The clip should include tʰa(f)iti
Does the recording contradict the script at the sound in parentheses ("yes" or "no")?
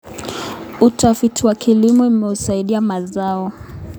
no